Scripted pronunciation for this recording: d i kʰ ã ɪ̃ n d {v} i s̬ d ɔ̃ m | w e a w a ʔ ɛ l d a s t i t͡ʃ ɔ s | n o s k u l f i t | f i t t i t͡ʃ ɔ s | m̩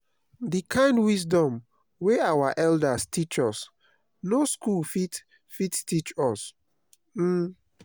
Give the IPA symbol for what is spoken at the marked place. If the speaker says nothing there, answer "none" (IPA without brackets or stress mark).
w